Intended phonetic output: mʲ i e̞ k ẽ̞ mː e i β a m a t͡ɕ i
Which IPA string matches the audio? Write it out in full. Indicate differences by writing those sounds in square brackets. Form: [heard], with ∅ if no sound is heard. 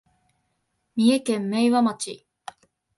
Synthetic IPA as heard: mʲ i e̞ k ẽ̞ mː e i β a m a t͡ɕ i